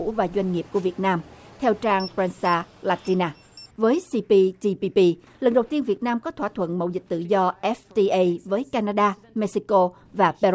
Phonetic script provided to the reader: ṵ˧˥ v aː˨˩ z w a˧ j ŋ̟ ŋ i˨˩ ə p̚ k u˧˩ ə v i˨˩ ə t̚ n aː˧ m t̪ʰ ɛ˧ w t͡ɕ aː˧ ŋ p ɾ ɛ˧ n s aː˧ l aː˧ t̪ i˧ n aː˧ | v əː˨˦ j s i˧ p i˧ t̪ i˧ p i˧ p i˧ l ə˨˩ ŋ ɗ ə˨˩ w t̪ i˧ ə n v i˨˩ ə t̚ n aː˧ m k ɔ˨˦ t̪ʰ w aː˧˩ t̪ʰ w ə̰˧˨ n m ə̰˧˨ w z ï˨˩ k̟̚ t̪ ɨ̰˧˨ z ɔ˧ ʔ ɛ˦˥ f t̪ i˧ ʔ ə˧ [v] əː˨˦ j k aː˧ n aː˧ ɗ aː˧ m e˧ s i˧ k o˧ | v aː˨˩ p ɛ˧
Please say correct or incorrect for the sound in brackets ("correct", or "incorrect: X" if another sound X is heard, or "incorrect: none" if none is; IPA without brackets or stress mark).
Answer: correct